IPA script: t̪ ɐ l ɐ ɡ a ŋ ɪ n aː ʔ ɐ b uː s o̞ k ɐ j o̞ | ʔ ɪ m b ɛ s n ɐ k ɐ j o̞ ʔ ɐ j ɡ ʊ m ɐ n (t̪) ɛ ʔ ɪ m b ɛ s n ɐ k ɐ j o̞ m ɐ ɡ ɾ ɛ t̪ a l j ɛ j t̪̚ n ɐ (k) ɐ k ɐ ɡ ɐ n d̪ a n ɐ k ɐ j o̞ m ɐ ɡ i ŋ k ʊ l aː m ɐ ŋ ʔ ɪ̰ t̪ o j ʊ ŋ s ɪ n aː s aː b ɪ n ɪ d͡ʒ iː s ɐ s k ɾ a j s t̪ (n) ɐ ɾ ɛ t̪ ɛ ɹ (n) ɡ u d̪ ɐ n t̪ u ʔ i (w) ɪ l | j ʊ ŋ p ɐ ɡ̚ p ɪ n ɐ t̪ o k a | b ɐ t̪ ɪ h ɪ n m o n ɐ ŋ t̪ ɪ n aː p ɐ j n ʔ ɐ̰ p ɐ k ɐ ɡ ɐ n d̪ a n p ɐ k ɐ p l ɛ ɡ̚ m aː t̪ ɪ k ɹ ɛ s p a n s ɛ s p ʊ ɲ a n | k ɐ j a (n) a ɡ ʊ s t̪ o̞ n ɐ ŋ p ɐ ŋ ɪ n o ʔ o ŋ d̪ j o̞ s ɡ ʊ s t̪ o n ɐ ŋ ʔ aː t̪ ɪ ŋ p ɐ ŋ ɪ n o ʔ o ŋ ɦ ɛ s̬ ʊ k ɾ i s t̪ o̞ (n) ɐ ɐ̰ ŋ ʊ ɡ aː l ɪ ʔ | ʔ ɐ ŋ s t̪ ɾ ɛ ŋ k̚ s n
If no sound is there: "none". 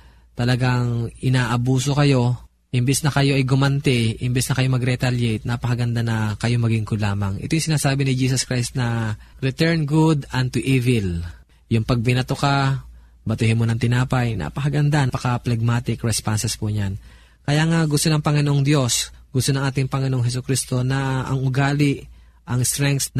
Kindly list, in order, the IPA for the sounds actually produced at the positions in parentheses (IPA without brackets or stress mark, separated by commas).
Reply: t̪, p, n, n, v, ŋ, n